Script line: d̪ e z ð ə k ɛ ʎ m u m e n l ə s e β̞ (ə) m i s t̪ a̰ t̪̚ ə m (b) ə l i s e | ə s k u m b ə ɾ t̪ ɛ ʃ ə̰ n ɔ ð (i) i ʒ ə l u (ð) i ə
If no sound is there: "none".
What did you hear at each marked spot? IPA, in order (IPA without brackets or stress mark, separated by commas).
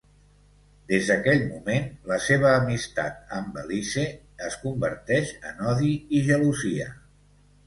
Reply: əː, b, i, z